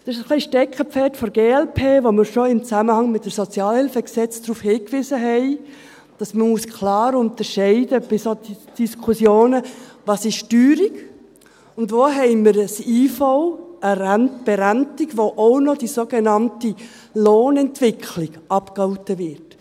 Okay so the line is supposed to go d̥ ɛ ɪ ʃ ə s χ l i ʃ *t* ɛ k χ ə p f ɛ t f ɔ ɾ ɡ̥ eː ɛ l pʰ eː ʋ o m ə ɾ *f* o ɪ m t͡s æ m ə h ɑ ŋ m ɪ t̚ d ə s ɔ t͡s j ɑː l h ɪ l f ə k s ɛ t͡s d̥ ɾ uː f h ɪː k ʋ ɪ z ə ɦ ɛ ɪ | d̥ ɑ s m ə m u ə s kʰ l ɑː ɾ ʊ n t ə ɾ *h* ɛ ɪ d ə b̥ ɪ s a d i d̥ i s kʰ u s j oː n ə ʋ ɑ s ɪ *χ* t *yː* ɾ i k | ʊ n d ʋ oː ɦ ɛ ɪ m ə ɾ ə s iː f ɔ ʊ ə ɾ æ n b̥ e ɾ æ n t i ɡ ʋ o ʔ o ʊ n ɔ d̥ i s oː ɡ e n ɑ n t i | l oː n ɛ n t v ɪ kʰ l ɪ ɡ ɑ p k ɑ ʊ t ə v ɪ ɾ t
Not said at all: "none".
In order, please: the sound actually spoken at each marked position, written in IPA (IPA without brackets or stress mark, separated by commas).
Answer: t, ʃ, ʃ, ʃ, yː